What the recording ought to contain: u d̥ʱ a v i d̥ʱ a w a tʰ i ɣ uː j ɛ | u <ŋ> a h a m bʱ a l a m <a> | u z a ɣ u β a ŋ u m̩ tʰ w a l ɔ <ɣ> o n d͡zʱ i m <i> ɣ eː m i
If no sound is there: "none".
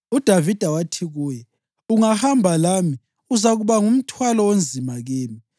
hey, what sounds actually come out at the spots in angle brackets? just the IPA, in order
ŋ, i, w, a

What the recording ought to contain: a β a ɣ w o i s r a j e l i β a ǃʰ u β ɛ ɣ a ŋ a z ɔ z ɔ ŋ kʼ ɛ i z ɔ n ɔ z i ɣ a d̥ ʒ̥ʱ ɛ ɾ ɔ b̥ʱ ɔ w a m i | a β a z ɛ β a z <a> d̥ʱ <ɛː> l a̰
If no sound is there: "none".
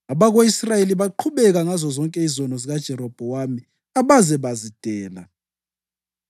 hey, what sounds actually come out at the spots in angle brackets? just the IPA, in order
i, ɛː

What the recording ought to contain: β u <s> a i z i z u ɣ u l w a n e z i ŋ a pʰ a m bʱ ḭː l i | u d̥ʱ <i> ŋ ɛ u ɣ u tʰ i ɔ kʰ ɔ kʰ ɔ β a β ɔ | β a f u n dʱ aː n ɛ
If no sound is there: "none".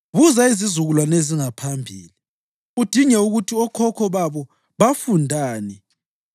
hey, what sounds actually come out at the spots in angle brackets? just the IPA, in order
z, i

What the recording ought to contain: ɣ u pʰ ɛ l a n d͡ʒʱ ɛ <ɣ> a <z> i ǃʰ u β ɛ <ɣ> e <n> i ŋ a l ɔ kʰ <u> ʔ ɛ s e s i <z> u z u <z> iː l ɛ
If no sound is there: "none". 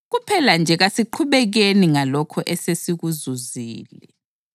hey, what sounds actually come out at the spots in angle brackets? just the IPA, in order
ɣ, s, ɣ, n, ɔ, ɣ, z

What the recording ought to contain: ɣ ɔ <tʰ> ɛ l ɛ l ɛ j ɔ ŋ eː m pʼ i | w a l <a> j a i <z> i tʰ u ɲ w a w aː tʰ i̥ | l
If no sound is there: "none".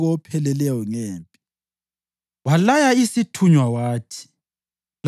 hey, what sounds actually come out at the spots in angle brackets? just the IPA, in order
pʰ, a, s

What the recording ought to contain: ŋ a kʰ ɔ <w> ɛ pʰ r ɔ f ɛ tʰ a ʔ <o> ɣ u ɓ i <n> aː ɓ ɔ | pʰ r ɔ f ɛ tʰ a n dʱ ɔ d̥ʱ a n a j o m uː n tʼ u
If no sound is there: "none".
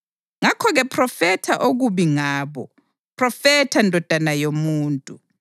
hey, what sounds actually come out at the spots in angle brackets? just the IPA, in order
ɣ, o, ŋ

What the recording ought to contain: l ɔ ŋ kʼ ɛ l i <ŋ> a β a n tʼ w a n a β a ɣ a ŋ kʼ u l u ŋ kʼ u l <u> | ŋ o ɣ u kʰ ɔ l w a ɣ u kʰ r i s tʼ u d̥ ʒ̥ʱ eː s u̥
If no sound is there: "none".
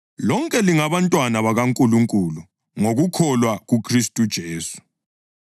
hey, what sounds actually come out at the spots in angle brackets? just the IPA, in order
ŋ, u

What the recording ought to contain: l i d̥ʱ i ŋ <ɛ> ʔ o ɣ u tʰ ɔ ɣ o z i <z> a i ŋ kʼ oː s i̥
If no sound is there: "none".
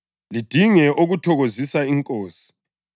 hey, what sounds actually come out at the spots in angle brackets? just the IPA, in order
ɛ, s

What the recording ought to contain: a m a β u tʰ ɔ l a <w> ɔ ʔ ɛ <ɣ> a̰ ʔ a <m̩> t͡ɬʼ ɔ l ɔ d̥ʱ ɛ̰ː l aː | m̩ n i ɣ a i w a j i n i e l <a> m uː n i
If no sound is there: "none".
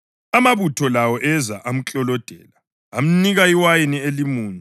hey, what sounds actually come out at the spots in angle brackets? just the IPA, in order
w, z, m̩, i

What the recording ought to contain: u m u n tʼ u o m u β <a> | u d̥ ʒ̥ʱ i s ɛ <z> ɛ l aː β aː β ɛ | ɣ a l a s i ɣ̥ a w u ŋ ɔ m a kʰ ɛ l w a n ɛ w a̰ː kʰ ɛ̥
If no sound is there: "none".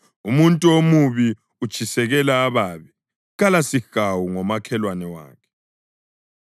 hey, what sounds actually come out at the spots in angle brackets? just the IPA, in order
i, ɣ

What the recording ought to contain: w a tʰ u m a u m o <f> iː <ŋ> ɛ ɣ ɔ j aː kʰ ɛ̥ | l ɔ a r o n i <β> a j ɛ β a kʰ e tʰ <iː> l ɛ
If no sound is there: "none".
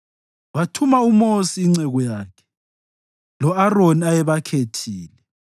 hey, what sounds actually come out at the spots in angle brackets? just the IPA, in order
s, ŋ͡ǀ, none, iː

